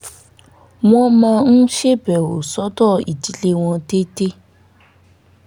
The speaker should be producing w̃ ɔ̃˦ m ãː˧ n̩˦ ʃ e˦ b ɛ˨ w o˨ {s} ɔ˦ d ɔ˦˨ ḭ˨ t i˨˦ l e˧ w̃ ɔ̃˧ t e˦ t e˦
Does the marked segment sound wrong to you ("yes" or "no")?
no